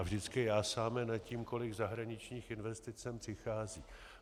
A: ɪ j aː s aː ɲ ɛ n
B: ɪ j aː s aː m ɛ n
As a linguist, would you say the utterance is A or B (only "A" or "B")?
B